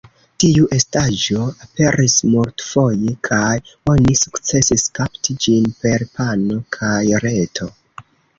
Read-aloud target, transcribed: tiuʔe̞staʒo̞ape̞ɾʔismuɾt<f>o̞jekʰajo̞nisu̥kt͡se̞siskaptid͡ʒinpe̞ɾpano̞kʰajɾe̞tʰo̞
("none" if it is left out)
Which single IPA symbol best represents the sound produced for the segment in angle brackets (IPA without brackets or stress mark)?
f